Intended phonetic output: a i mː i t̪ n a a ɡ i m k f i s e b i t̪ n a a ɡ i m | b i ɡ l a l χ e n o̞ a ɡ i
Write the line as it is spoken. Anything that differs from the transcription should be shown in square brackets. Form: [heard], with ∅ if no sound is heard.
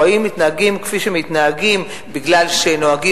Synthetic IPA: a i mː i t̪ n a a ɡ i m k f i [ʃ] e [m] i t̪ n a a ɡ i m | b i ɡ l a l [ʃ] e n o̞ a ɡ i